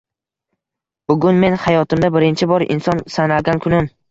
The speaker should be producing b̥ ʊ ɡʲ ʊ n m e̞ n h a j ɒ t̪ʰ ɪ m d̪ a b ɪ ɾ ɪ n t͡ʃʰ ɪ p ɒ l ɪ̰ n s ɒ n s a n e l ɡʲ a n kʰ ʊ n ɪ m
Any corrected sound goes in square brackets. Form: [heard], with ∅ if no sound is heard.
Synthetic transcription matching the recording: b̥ ʊ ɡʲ ʊ n m e̞ n h a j ɒ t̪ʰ ɪ m d̪ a b ɪ ɾ ɪ n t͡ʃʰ ɪ [b] ɒ [ɾ] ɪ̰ n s ɒ n s a n [a] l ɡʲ a n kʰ ʊ n ɪ m